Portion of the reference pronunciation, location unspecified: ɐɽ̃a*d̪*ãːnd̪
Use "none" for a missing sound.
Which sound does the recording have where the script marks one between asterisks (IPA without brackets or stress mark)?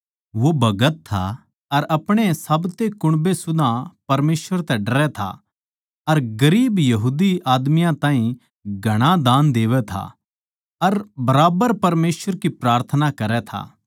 d̪